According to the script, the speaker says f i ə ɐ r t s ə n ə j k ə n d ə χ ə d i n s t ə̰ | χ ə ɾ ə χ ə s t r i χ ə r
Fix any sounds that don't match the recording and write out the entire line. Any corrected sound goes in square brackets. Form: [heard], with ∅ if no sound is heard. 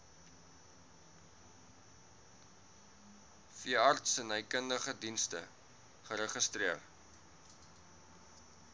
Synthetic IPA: f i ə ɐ r t s ə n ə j k ə n d ə χ ə d i n s t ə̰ | χ ə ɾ ə χ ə s t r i [∅] ə r